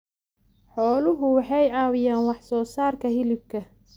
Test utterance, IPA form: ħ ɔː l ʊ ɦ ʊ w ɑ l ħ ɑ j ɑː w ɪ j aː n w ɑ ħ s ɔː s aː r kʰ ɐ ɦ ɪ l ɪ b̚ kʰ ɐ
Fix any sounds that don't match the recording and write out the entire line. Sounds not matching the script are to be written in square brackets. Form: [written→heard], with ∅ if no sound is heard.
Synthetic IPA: ħ ɔː l ʊ ɦ ʊ w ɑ [l→∅] ħ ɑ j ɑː w ɪ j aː n w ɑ ħ s ɔː s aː r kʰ ɐ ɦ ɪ l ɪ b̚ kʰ ɐ